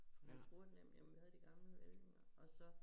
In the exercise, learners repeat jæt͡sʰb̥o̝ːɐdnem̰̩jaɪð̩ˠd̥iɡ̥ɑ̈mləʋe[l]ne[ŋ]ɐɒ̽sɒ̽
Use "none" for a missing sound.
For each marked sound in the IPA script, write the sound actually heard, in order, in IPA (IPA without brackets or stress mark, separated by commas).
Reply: l, ŋ